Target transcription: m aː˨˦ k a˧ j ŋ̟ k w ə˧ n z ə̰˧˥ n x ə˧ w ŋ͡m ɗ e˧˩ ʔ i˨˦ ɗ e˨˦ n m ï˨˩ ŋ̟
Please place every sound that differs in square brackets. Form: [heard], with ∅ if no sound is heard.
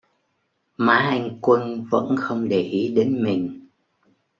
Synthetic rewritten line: m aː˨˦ [ʔ] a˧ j ŋ̟ k w ə˧ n [v] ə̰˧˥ n x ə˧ w ŋ͡m ɗ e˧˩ ʔ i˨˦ ɗ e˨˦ n m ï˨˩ ŋ̟